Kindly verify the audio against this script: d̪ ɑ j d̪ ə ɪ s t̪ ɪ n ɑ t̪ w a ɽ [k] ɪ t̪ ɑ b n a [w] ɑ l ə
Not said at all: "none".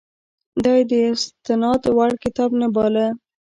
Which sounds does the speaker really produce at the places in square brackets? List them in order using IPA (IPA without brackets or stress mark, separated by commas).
k, b